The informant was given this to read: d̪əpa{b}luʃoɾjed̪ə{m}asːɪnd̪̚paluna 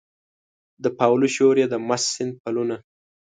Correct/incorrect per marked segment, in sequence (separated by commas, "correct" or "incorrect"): incorrect, correct